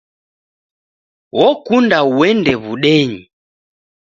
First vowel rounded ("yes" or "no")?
yes